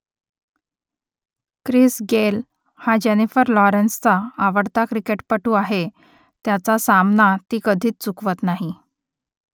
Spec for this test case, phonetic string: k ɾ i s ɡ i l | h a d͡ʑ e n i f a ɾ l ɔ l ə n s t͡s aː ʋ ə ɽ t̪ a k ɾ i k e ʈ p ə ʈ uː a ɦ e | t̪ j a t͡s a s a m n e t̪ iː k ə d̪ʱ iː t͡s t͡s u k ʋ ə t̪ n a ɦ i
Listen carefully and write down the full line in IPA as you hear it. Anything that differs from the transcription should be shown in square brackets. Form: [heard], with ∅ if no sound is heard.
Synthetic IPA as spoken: k ɾ i s ɡ [e] l | h a d͡ʑ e n i f [ə] ɾ l ɔ [ɾ] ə n s t͡s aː ʋ ə ɽ t̪ a k ɾ i k e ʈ p ə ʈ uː a ɦ e | t̪ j a t͡s a s a m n [a] t̪ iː k ə d̪ʱ iː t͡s t͡s u k ʋ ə t̪ n a ɦ i